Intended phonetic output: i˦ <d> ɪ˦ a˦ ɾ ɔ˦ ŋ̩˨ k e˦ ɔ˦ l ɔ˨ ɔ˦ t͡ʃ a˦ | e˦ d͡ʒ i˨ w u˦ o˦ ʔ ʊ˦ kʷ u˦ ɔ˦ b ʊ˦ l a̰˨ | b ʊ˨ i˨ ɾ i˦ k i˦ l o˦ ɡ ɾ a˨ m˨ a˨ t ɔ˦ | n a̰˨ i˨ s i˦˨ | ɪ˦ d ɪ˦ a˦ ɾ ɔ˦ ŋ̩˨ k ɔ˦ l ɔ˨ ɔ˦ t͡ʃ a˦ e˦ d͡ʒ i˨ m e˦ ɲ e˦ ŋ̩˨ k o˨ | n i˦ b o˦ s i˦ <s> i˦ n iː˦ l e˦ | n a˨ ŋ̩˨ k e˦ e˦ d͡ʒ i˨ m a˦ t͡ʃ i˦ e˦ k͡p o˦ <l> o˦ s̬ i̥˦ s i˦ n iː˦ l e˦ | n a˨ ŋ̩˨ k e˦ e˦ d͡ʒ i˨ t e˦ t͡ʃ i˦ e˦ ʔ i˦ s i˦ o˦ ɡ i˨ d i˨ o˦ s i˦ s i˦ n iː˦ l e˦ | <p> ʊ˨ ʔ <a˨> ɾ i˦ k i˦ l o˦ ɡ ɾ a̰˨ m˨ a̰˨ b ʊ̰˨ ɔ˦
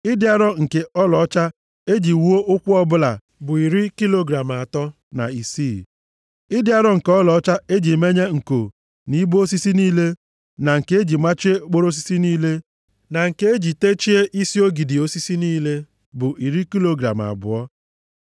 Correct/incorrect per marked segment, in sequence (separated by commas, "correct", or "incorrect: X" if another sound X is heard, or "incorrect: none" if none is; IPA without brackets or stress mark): correct, correct, incorrect: ɾ, incorrect: b, incorrect: i˨